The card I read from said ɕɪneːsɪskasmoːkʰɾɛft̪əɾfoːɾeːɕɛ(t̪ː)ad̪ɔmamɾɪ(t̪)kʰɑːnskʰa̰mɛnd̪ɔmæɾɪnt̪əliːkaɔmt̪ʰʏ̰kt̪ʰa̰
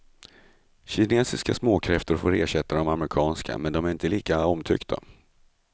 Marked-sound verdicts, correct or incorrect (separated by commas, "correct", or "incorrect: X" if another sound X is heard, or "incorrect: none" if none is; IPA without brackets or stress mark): correct, incorrect: none